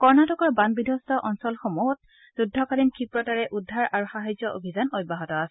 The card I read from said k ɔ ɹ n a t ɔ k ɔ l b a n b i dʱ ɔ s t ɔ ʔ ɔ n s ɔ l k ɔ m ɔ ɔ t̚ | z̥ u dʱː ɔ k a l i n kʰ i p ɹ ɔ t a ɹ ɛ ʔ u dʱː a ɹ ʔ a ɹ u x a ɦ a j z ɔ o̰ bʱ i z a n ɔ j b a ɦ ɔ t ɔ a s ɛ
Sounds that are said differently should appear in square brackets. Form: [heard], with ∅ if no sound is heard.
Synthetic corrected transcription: k ɔ ɹ n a t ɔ k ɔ [ɹ] b a n b i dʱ ɔ s t ɔ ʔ ɔ n s ɔ l [x] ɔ m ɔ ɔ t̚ | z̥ u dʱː ɔ k a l i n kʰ i p ɹ ɔ t a ɹ ɛ ʔ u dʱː a ɹ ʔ a ɹ u x a ɦ a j z ɔ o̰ bʱ i z a n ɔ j b a ɦ ɔ t ɔ a s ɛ